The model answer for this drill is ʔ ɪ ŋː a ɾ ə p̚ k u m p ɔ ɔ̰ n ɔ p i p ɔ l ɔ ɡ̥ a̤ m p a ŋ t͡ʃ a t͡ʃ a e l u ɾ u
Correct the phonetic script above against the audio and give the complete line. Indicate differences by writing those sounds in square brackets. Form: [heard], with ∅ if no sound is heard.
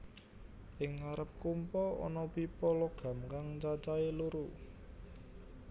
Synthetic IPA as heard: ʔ ɪ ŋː a ɾ ə p̚ k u m p ɔ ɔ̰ n ɔ p i p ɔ l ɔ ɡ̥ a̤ m [k] a ŋ t͡ʃ a t͡ʃ a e l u ɾ u